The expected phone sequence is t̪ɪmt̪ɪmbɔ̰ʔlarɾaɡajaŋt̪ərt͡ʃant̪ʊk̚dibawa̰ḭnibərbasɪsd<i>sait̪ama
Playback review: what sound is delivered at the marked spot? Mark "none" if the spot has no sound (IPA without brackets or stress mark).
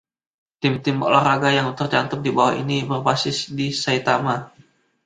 i